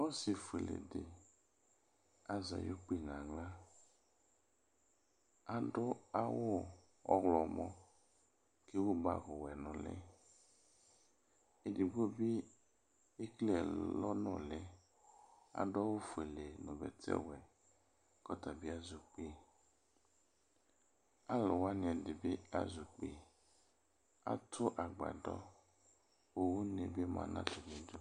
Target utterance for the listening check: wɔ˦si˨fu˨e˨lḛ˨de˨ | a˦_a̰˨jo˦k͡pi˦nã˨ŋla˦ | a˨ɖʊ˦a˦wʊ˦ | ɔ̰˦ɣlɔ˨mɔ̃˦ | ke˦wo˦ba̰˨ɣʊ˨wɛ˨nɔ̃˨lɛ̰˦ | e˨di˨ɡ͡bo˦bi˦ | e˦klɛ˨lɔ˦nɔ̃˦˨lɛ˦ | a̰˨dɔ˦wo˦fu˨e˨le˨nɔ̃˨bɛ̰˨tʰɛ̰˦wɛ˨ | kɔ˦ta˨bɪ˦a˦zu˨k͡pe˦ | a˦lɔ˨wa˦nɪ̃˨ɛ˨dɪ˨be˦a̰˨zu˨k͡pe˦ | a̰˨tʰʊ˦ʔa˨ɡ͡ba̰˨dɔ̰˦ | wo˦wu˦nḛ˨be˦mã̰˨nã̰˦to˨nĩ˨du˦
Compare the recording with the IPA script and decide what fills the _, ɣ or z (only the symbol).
z